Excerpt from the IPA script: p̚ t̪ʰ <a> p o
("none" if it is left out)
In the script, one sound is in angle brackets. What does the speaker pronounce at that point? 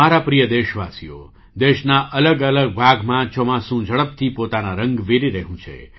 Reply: i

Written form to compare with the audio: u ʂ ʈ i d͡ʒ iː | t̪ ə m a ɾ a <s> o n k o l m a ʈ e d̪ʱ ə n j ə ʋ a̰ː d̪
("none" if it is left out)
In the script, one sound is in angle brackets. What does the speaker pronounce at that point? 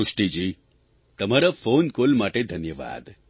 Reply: f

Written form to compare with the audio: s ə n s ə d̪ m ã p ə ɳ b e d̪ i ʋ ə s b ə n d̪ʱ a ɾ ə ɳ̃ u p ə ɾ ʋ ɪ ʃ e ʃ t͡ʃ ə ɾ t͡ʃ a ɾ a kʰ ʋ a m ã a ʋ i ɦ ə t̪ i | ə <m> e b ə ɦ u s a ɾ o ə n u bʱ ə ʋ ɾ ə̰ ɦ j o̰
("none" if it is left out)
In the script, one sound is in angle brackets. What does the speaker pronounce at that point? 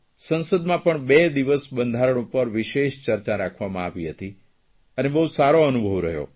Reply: n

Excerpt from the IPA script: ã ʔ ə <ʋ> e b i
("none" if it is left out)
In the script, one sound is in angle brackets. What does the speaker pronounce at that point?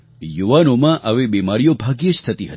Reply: ʋ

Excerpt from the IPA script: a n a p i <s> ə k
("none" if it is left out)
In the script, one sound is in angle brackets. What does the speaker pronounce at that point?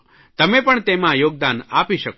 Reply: ʃ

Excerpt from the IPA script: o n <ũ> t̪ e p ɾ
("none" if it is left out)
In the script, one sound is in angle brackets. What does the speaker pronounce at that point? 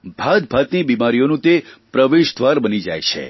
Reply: ũ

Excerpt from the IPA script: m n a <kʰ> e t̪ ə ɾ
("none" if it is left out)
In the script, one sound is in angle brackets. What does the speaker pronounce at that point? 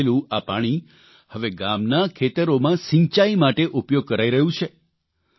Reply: kʰ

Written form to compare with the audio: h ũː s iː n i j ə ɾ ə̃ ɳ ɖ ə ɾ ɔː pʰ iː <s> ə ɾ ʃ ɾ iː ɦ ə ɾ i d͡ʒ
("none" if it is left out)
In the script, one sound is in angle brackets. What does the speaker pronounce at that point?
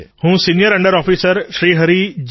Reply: s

